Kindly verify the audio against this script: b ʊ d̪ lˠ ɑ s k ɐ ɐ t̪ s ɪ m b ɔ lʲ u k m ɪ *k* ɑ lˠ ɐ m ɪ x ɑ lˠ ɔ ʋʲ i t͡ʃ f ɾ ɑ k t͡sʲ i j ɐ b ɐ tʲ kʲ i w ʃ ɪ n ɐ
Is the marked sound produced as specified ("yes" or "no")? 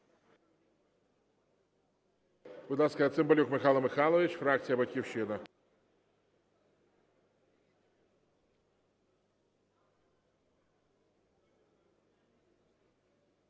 no